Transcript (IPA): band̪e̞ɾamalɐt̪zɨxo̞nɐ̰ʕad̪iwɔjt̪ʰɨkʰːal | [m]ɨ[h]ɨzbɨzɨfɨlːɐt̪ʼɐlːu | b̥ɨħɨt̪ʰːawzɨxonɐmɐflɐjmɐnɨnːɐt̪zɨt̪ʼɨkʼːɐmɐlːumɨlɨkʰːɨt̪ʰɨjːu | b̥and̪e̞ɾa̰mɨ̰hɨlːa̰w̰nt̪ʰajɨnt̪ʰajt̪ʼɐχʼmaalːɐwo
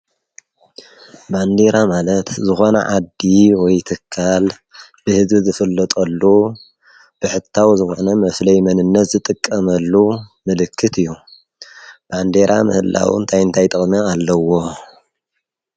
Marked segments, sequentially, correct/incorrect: incorrect: b, correct

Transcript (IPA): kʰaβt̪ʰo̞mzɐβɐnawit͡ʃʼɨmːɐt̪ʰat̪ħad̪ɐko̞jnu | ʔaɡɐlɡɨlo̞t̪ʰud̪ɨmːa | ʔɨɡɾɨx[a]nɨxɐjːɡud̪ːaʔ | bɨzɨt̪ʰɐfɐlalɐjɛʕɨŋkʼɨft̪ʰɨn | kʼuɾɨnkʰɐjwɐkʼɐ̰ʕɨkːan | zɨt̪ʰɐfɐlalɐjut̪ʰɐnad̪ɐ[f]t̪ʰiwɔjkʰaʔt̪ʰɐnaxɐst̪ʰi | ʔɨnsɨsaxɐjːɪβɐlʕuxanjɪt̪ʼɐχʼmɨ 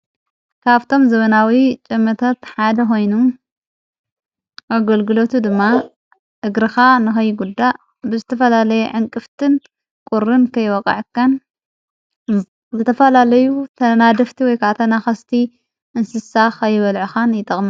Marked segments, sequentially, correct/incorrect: correct, correct

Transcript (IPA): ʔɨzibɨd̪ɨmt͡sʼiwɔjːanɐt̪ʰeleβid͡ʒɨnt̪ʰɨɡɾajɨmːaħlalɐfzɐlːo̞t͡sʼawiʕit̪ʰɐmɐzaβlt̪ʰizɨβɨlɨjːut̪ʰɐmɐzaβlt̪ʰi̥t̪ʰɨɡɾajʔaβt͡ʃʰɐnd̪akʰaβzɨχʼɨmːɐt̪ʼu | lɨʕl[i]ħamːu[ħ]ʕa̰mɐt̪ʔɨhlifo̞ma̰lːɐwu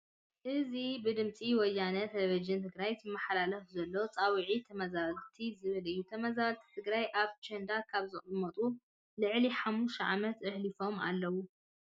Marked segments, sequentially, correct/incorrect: correct, incorrect: ʃ

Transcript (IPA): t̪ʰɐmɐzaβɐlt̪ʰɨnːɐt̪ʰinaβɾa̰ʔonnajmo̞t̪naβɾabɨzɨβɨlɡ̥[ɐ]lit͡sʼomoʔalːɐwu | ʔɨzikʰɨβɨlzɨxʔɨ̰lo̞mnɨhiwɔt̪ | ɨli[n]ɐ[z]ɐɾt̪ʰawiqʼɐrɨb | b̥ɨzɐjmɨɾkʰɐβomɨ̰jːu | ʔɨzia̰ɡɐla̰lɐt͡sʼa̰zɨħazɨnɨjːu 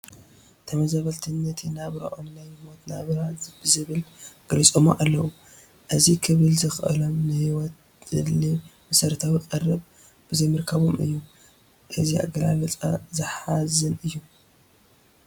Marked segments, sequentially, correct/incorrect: correct, incorrect: m, incorrect: s

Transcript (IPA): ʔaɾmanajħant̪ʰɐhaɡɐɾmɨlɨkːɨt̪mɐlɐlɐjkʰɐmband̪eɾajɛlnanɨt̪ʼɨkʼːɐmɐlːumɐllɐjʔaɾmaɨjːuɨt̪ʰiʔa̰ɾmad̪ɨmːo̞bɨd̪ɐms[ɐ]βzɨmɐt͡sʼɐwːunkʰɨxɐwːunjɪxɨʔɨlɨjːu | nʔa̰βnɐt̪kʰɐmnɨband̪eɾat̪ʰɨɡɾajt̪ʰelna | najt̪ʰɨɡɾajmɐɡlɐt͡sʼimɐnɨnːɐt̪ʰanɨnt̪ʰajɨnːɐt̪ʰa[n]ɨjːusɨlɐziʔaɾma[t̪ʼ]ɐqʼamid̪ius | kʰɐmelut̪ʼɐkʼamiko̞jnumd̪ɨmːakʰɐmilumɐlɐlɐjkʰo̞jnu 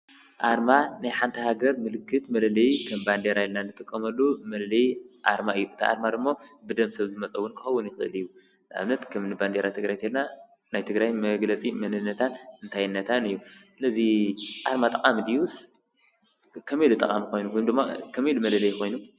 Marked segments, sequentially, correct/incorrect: correct, correct, correct

